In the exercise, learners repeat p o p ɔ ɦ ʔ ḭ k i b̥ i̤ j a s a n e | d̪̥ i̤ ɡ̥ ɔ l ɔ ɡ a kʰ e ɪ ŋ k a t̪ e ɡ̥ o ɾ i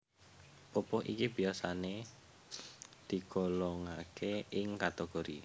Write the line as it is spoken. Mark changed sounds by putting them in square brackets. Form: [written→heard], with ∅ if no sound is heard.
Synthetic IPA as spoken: p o p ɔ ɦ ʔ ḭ k i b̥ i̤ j a s a n e | d̪̥ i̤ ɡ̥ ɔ l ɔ [ɡ→ŋ] a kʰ e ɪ ŋ k a t̪ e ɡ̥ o ɾ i